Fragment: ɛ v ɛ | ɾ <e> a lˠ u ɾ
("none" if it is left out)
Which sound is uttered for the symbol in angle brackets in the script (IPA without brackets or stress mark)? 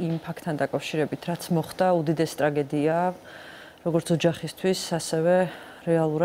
ɛ